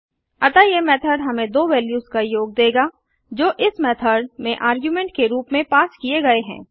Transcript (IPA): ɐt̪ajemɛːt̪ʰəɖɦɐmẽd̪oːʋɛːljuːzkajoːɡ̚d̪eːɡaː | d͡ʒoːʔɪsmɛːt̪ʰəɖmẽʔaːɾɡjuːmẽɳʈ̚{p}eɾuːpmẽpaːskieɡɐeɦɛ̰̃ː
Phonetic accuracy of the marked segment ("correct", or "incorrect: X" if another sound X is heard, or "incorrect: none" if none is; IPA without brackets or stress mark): incorrect: k